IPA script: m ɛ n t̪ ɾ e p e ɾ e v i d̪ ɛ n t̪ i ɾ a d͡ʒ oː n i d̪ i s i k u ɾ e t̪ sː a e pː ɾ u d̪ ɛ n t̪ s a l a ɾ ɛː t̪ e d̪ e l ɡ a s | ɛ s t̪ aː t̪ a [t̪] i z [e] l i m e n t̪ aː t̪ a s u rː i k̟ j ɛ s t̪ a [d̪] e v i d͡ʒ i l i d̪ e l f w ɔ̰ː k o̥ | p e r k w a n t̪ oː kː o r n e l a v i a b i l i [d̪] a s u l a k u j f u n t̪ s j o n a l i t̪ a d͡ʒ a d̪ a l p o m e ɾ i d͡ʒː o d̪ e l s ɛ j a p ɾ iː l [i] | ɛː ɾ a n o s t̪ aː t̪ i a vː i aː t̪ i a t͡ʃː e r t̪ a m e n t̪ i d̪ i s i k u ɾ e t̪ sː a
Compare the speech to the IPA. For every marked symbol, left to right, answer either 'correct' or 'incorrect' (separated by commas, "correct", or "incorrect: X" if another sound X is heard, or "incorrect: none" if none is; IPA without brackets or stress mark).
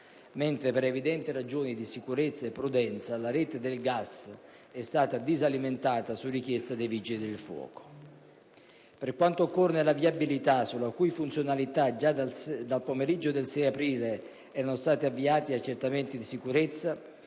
incorrect: d̪, incorrect: a, correct, incorrect: t̪, incorrect: e